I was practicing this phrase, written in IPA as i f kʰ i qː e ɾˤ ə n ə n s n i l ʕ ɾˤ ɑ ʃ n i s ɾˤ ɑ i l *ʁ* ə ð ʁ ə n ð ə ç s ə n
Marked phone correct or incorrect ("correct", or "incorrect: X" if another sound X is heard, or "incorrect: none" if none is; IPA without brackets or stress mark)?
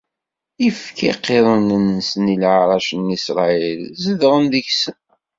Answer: incorrect: z